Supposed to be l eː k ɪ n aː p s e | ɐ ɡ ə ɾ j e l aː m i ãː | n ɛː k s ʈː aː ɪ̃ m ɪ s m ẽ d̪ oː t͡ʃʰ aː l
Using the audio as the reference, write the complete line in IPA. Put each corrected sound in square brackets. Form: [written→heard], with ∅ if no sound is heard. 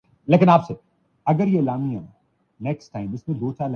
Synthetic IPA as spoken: l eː k ɪ n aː p s e | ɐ ɡ ə ɾ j e l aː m i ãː | n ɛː k s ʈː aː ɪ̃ m ɪ s m ẽ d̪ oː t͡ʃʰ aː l